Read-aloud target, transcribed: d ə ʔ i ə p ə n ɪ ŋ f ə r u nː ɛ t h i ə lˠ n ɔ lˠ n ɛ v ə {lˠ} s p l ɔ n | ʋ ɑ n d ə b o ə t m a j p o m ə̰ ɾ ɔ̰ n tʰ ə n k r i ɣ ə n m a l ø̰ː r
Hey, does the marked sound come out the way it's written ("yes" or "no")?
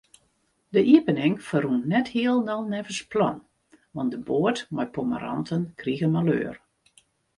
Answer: no